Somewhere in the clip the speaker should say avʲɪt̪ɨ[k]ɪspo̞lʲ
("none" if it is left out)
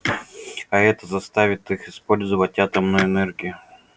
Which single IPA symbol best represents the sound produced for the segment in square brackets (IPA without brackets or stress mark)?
x